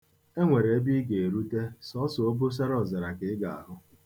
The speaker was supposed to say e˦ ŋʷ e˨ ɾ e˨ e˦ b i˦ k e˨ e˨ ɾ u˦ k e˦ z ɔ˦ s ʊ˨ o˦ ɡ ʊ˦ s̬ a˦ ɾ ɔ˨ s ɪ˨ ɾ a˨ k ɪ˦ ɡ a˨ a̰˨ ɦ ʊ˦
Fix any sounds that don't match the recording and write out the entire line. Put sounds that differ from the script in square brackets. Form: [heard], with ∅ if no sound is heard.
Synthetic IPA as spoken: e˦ ŋʷ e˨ ɾ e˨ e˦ b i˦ [ɡ] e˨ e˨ ɾ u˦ [t] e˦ [s] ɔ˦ s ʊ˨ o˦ [b] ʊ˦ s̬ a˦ ɾ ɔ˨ [z] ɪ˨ ɾ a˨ k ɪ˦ ɡ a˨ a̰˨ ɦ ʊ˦

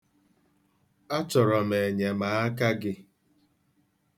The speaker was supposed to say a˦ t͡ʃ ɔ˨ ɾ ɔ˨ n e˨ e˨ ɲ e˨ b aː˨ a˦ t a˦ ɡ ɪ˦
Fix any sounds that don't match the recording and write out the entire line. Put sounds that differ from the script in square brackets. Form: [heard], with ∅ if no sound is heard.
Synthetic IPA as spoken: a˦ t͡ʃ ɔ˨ ɾ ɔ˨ [m] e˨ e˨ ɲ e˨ [m] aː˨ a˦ [k] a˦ ɡ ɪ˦

